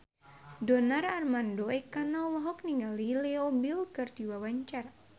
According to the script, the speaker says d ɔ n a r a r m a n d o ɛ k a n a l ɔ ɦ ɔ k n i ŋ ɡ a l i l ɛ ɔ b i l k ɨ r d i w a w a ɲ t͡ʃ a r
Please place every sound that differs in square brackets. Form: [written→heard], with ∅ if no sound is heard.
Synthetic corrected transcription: d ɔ n a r a r m a n d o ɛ k a n a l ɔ ɦ ɔ k n i ŋ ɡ a l i l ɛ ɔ b i l k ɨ r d i w a w a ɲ t͡ʃ a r